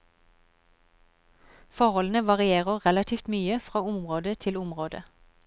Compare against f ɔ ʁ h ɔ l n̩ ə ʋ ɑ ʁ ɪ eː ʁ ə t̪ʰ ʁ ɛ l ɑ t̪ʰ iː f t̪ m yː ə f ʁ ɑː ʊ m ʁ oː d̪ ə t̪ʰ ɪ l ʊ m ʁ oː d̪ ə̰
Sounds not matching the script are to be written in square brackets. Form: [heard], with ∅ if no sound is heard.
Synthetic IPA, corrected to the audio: f ɔ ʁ h ɔ l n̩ ə ʋ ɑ ʁ ɪ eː ʁ ə [∅] ʁ ɛ l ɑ t̪ʰ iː f t̪ m yː ə f ʁ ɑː ʊ m ʁ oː d̪ ə t̪ʰ ɪ l ʊ m ʁ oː d̪ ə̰